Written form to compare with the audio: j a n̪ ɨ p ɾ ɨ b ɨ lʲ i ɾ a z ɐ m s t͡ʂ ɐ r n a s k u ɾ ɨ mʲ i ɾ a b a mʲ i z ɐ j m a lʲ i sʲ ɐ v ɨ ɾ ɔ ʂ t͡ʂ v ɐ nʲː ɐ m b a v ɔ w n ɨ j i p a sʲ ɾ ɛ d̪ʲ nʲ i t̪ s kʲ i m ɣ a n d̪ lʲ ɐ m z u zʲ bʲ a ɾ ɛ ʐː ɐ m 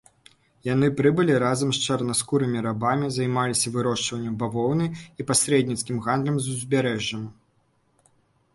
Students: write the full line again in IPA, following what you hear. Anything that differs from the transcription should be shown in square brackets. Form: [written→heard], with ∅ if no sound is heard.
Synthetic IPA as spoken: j a n̪ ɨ p ɾ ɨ b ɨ lʲ i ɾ a z ɐ m s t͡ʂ ɐ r n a s k u ɾ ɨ mʲ i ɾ a b a mʲ i z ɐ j m a lʲ i sʲ ɐ v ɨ ɾ ɔ ʂ t͡ʂ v ɐ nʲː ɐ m b a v ɔ w n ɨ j i p a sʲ ɾ ɛ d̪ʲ nʲ i t̪ s kʲ i m ɣ a n d̪ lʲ ɐ m z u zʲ bʲ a ɾ ɛ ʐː ɐ m